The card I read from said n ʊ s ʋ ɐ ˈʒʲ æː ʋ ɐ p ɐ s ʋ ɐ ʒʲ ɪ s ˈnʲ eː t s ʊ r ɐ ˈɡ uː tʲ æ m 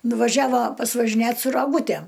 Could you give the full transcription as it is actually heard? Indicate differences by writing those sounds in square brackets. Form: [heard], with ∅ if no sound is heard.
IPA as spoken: n ʊ [∅] ʋ ɐ ˈʒʲ æː ʋ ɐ p ɐ s ʋ ɐ ʒʲ ɪ [∅] ˈnʲ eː t s ʊ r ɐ ˈɡ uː tʲ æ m